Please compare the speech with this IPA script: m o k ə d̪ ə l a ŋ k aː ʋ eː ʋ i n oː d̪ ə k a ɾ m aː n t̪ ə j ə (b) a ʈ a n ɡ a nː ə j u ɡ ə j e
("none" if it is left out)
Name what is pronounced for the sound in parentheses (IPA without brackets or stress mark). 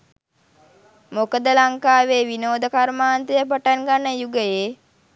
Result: p